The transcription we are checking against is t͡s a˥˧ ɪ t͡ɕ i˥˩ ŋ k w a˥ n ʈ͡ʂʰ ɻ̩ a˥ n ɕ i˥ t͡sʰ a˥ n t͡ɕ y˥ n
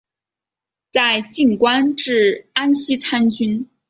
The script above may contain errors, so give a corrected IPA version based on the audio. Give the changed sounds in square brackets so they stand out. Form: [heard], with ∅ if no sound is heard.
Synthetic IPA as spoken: t͡s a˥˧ ɪ t͡ɕ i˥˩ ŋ k w a˥ n [ʈ͡ʂ] ɻ̩ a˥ n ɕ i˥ t͡sʰ a˥ n t͡ɕ y˥ n